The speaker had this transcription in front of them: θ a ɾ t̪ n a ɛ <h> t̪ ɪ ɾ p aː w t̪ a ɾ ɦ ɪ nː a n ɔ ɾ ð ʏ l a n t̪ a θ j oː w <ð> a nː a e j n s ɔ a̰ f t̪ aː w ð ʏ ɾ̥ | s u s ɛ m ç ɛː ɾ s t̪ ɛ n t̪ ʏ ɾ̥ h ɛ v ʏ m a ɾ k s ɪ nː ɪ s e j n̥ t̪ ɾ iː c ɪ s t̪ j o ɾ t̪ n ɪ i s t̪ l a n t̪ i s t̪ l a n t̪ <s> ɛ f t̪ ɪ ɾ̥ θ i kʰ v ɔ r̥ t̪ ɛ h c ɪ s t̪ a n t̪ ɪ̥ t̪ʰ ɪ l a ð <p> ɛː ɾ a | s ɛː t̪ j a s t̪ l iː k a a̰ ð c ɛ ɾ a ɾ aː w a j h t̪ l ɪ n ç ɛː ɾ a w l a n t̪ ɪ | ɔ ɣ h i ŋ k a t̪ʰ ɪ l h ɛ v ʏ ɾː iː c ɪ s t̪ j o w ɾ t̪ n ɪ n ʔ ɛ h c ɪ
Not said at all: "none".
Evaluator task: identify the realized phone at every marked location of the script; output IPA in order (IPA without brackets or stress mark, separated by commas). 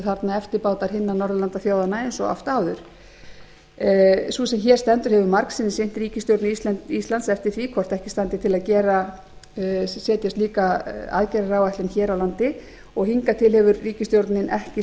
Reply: f, ð, s, c